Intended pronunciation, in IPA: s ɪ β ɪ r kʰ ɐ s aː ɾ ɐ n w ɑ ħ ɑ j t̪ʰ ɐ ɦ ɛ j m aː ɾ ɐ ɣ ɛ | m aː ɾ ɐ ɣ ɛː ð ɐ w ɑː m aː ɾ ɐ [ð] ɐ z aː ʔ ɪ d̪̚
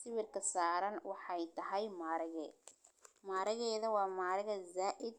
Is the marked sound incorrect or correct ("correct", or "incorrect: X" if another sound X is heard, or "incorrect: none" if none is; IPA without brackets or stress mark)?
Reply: incorrect: ɣ